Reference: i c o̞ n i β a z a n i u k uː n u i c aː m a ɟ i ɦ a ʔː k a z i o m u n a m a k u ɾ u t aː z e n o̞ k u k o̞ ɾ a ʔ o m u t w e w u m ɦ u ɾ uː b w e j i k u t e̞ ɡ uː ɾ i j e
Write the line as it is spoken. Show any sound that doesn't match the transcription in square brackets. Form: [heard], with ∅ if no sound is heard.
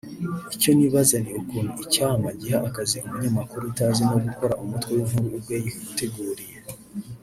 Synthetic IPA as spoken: i c o̞ n i β a z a n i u k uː n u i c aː m a ɟ i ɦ a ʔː k a z i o m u [ɲ] a m a k u ɾ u t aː z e n o̞ [ɡ] u k o̞ ɾ a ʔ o m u t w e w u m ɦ u ɾ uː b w e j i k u t e̞ ɡ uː ɾ i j e